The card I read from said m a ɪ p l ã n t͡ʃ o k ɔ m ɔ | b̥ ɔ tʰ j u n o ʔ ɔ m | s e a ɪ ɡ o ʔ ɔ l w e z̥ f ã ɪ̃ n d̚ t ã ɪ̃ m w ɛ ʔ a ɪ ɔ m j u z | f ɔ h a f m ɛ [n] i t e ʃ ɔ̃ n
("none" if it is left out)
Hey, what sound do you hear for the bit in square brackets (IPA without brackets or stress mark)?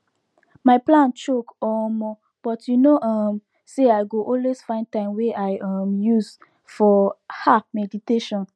d